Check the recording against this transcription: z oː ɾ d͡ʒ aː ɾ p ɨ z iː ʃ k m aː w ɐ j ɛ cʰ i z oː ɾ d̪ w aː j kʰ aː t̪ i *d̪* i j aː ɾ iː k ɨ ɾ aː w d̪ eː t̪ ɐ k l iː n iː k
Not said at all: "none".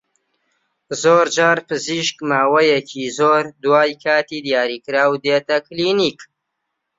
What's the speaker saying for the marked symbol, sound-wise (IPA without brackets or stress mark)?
d̪